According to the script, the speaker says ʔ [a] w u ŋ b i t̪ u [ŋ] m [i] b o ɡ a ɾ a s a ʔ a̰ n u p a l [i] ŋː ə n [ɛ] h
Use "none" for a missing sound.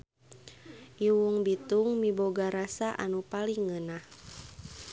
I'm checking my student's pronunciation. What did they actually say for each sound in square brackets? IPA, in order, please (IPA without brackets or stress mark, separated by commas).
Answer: i, ŋ, i, i, a